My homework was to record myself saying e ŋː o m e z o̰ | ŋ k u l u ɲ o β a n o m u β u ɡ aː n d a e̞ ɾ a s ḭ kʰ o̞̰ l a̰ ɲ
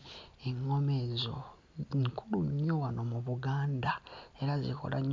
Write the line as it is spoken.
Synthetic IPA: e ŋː o m e z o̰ | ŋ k u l u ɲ o w a n o m u β u ɡ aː n d a e̞ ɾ a z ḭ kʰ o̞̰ l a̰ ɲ